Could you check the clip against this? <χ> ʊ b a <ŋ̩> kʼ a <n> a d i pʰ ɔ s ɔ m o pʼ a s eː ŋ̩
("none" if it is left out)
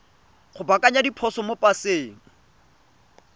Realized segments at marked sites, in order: χ, none, ɲ

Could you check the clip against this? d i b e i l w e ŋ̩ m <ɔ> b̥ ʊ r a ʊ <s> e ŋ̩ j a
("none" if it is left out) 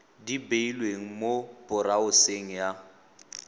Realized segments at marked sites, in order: o, s

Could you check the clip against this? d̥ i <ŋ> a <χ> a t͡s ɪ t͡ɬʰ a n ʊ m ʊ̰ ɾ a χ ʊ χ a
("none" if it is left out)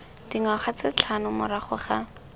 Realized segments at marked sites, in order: ŋ, χ

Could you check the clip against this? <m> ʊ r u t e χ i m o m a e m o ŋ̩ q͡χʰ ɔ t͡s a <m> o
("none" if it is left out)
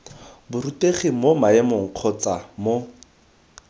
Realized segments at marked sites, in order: b, m

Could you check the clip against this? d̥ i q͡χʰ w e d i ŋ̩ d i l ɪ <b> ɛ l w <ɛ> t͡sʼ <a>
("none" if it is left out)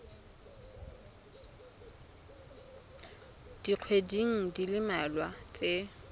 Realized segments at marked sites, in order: m, a, e

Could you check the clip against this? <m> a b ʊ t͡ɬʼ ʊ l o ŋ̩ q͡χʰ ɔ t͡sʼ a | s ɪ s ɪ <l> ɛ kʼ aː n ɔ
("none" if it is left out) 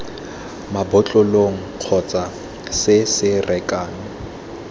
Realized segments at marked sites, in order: m, r

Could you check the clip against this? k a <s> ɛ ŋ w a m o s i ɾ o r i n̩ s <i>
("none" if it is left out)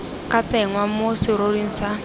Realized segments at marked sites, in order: t͡s, a

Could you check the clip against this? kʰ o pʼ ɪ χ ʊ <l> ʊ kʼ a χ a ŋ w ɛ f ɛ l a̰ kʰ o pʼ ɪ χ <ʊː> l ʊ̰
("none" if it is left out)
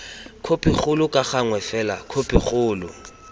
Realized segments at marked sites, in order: l, ʊː

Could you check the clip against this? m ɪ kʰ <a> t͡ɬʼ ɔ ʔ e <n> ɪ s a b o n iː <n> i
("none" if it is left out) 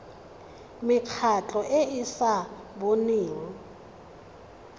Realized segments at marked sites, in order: a, none, ŋ

